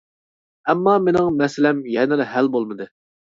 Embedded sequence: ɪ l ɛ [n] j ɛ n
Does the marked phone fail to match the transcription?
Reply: yes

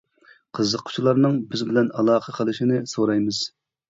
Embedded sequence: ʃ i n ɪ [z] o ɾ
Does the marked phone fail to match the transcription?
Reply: yes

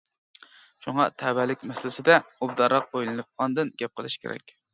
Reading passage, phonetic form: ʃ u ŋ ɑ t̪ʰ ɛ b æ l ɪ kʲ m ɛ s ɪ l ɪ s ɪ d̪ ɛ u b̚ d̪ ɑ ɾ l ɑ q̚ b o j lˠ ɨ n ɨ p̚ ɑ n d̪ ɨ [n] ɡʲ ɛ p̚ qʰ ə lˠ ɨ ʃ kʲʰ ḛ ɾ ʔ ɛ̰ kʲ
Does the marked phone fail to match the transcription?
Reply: no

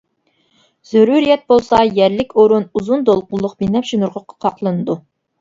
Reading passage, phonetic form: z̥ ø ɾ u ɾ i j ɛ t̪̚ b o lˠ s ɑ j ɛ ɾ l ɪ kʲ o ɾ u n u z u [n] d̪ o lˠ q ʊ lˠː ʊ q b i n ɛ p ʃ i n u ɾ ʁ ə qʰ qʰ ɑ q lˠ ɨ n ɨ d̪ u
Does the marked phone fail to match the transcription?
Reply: no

